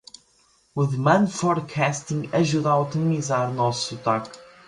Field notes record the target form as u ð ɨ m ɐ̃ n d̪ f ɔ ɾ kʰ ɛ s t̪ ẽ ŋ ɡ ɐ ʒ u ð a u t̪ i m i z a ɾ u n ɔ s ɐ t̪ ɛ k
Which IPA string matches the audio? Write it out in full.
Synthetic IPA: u ð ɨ m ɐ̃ n d̪ f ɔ ɾ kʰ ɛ s t̪ ĩ ŋ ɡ ɐ ʒ u ð a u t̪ i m i z a ɾ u n ɔ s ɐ t̪ a k